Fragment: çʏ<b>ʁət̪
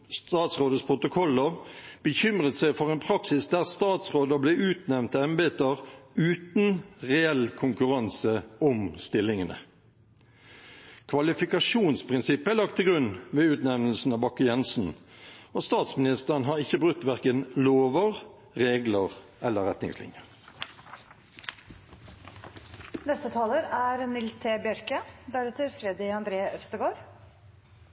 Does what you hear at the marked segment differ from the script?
yes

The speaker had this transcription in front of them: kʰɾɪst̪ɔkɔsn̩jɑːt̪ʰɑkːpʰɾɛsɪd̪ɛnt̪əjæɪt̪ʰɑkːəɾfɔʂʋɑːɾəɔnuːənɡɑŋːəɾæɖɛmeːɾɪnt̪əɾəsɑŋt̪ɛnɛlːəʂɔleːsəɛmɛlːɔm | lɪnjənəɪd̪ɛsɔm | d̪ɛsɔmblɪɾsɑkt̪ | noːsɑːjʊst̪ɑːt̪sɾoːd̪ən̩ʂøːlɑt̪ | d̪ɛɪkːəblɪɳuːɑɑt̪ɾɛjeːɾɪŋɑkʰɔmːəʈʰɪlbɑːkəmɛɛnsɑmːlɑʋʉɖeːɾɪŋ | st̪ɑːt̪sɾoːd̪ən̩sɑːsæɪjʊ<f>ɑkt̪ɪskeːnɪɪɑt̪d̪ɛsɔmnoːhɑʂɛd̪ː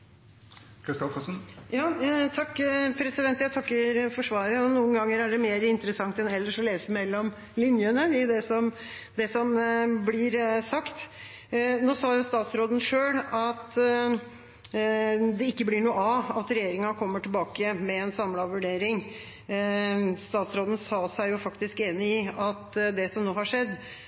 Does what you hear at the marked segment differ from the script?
no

